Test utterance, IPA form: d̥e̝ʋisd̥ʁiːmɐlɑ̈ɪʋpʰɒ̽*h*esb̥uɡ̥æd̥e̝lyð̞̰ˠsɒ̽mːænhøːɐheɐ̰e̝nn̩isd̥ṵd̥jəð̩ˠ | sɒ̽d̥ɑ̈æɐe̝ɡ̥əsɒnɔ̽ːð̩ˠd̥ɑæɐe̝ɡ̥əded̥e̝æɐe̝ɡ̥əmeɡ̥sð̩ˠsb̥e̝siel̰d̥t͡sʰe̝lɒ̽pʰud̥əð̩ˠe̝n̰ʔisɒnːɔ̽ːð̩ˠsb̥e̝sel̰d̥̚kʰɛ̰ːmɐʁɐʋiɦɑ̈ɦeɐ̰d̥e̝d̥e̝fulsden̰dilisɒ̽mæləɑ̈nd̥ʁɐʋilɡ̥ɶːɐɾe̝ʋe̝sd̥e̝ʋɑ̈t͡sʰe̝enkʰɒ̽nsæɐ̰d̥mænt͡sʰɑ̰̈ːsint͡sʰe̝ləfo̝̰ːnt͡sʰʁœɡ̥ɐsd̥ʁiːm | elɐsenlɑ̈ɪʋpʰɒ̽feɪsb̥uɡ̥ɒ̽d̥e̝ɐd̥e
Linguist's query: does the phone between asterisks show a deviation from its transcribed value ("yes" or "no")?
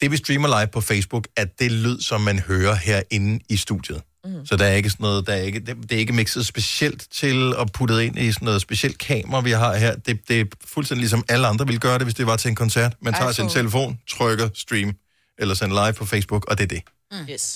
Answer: yes